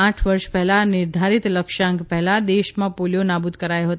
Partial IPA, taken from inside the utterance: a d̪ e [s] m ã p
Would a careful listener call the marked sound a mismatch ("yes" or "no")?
yes